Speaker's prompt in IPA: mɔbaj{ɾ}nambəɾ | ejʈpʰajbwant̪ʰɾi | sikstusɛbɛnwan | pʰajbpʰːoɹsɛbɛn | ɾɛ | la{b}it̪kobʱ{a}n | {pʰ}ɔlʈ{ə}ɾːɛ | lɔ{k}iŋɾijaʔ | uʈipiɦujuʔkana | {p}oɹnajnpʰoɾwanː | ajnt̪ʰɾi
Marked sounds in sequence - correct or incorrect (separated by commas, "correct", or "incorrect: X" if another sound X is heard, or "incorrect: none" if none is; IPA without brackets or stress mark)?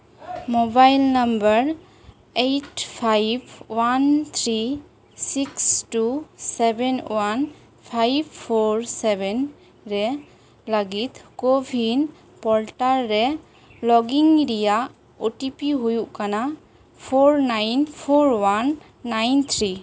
incorrect: l, incorrect: ɡ, incorrect: i, incorrect: p, incorrect: a, incorrect: ɡ, incorrect: pʰ